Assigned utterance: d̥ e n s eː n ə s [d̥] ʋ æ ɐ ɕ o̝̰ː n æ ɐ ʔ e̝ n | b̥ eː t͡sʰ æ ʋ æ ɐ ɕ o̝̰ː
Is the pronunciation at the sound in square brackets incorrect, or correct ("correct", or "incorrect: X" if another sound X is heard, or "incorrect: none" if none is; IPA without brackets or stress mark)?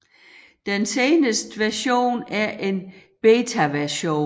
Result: correct